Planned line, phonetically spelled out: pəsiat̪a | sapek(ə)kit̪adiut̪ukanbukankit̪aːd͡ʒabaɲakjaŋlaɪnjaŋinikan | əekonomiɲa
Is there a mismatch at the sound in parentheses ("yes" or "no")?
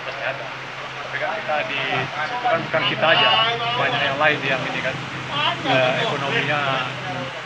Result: yes